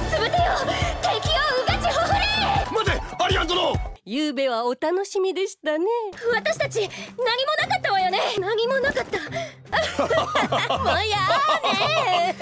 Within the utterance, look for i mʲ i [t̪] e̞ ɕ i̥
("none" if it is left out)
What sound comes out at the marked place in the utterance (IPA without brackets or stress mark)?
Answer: d̪